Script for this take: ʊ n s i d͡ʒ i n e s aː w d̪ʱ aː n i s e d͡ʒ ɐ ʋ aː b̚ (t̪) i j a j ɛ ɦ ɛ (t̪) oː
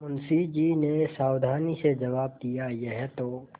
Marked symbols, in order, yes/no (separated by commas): no, yes